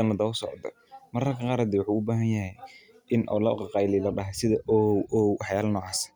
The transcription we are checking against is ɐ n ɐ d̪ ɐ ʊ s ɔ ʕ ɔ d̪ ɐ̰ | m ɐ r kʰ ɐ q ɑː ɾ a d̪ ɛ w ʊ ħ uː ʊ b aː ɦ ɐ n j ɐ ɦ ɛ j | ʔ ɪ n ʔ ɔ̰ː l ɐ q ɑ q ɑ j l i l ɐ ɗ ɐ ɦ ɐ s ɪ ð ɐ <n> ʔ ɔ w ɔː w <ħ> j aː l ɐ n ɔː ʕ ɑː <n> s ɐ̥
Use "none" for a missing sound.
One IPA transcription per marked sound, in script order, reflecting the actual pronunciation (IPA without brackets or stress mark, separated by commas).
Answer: none, ħ, none